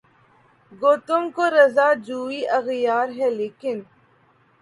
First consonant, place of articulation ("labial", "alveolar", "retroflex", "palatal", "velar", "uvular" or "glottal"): velar